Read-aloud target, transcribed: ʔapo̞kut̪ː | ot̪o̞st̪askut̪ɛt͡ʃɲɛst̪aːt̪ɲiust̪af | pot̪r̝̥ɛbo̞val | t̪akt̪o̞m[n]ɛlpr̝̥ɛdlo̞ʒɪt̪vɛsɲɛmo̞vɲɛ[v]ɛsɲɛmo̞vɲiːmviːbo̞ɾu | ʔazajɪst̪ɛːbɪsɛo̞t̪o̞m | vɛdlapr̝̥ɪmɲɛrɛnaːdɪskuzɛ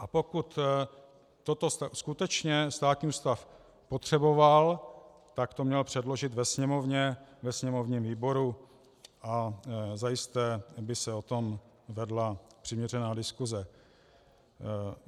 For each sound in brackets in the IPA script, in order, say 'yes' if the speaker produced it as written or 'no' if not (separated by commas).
no, yes